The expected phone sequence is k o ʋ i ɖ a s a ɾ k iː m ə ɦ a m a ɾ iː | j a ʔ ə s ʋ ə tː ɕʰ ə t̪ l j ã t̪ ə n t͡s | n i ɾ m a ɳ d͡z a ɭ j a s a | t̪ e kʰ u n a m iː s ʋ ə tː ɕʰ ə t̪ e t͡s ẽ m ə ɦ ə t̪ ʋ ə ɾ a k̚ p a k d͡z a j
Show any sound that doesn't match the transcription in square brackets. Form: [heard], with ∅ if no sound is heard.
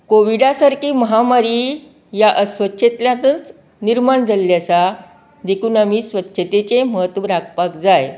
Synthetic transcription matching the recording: k o ʋ i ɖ a s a ɾ k iː m ə ɦ a m a ɾ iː | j a ʔ ə s ʋ ə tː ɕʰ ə t̪ l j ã t̪ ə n t͡s | n i ɾ m a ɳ d͡z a [l] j a s a | [d̪] e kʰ [uː] n a m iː s ʋ ə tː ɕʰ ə t̪ e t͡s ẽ m ə ɦ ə t̪ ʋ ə ɾ a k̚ p a k d͡z a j